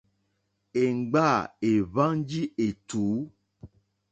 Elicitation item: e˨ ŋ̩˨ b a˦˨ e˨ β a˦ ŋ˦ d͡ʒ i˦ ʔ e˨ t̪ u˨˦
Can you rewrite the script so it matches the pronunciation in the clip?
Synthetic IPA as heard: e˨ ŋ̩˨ ɡ͡b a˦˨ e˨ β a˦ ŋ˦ d͡ʒ i˦ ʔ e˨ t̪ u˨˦